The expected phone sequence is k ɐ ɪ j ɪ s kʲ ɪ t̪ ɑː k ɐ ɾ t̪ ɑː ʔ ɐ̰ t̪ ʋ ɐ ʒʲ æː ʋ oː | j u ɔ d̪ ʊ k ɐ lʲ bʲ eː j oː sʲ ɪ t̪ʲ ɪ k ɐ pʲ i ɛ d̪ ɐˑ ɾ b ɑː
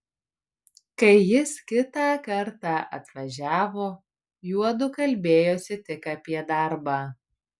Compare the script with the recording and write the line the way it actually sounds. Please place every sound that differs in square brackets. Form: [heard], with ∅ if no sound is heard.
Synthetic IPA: k ɐ ɪ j ɪ s kʲ ɪ t̪ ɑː k ɐ ɾ t̪ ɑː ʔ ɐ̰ t̪ ʋ ɐ ʒʲ æː ʋ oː | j u ɔ d̪ ʊ k ɐ lʲ bʲ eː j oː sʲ ɪ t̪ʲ ɪ k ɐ pʲ i ɛ d̪ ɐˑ ɾ b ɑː